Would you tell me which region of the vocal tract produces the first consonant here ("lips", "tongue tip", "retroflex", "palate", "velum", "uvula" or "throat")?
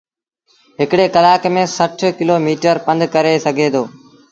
throat